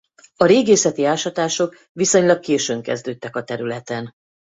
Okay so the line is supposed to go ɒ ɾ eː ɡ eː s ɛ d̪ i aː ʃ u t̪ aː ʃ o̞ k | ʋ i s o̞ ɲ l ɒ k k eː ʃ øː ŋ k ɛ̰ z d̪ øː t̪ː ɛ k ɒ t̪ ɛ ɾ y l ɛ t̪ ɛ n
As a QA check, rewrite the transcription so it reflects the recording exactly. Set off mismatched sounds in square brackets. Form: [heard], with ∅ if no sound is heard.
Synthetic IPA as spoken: ɒ ɾ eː ɡ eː s ɛ [t̪] i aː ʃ [ɒ] t̪ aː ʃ o̞ k | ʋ i s o̞ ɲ l ɒ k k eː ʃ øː ŋ k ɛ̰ z d̪ øː t̪ː ɛ k ɒ t̪ ɛ ɾ y l ɛ t̪ ɛ n